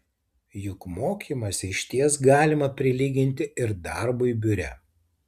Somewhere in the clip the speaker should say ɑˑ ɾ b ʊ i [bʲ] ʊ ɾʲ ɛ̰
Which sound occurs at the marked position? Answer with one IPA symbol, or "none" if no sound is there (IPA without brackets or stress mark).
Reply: bʲ